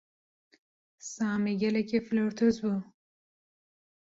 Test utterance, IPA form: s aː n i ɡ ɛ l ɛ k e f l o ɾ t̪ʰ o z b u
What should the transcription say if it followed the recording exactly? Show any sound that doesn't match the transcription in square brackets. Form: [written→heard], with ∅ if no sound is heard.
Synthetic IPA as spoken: s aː [n→m] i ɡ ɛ l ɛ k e f l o ɾ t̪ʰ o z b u